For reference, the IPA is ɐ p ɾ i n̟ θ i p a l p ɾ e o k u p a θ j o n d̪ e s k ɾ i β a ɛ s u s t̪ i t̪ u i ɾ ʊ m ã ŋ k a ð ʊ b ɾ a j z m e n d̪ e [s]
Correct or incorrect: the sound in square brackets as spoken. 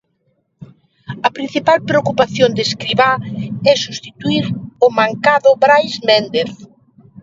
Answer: incorrect: θ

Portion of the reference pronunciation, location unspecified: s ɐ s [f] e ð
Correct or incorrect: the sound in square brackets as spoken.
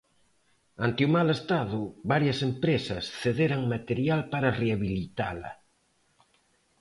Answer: incorrect: θ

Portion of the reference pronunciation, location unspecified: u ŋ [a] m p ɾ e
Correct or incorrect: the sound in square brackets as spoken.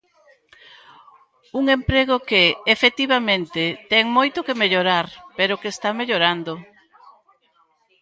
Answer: incorrect: e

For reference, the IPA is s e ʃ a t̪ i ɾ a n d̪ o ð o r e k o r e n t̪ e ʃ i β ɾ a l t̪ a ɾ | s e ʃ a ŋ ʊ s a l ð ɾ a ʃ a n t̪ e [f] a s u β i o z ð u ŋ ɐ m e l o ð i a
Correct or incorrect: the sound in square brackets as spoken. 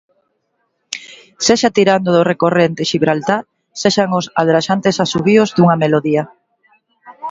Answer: incorrect: s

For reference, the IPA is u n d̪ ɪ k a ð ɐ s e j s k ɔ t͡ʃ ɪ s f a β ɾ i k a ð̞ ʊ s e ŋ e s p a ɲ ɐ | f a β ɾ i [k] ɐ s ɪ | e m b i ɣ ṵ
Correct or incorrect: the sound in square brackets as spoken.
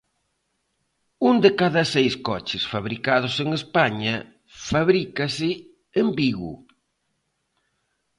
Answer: correct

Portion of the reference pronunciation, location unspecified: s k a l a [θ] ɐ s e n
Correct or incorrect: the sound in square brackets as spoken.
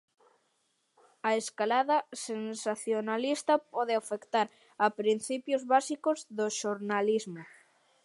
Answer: incorrect: ð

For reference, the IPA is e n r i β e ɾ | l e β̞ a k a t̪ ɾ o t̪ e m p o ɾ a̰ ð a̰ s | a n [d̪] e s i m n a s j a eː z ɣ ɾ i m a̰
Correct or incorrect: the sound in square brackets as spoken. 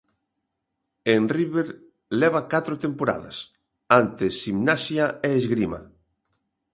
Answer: incorrect: t̪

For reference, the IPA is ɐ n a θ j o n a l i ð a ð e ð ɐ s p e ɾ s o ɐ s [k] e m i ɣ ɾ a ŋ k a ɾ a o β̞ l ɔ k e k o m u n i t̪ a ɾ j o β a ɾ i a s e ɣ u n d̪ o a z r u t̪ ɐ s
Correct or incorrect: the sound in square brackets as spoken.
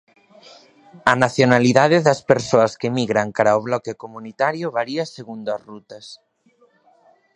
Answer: correct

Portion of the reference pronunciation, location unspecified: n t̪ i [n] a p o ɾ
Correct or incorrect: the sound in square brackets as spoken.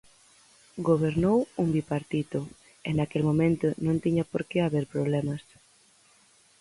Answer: incorrect: ɲ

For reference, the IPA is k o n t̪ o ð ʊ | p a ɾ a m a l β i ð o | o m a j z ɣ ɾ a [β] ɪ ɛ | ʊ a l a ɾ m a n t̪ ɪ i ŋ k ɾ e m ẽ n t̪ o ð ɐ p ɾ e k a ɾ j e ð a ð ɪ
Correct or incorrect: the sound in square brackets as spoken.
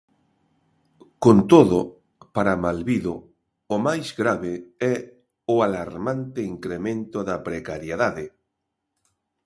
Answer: correct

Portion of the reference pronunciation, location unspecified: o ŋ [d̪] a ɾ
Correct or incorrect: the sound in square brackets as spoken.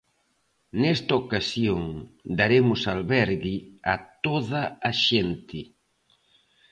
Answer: correct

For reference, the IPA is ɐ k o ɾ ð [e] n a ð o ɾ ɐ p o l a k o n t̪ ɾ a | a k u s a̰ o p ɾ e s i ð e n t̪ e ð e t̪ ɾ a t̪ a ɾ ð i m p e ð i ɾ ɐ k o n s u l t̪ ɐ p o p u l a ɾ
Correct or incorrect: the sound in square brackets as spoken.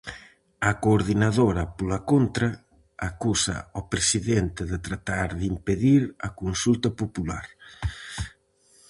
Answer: incorrect: i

